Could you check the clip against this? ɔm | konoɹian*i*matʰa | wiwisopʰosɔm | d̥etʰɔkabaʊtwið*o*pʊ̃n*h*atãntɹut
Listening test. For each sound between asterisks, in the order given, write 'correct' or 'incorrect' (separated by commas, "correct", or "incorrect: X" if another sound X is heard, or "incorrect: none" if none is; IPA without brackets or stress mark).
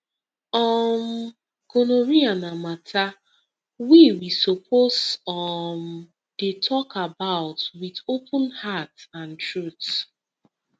incorrect: a, correct, correct